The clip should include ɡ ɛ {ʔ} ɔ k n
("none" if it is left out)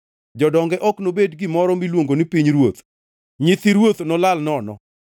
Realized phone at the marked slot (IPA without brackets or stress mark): ʔ